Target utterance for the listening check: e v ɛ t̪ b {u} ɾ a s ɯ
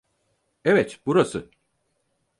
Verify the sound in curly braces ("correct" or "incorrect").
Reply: correct